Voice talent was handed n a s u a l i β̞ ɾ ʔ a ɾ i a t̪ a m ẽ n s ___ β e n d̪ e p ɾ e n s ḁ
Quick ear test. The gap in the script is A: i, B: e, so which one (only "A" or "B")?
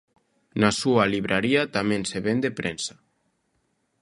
B